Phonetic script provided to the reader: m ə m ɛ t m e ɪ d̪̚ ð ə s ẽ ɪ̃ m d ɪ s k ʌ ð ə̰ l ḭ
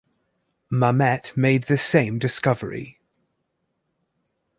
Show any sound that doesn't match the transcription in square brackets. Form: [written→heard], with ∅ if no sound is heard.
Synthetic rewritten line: m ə m ɛ t m e ɪ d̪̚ ð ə s ẽ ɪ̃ m d ɪ s k ʌ [ð→v] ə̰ [l→ɹ] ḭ